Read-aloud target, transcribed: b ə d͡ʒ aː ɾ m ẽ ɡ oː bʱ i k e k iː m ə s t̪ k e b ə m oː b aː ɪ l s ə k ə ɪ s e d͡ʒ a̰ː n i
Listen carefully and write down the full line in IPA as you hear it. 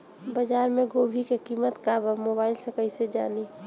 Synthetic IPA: b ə d͡ʒ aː ɾ m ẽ ɡ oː bʱ i k e k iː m ə t̪ k a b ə m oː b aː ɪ l s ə k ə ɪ s e d͡ʒ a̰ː n i